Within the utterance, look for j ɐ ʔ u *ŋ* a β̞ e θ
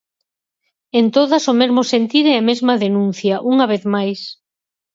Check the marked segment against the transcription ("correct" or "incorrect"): correct